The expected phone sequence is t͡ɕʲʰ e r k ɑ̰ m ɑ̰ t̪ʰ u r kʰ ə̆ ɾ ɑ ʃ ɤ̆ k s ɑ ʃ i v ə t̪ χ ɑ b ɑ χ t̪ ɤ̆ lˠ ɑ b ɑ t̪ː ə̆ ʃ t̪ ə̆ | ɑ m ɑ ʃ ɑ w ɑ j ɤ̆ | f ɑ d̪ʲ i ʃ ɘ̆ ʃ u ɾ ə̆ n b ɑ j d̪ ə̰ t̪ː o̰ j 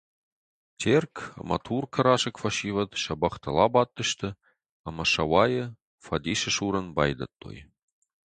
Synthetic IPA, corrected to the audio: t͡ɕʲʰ e r k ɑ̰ m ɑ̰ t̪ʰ u r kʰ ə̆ ɾ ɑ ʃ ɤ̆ k f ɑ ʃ i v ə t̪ ʃ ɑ b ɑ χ t̪ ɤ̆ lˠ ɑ b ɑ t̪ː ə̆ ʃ t̪ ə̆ | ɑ m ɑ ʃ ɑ w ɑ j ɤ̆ | f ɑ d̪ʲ i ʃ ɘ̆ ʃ u ɾ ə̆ n b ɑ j d̪ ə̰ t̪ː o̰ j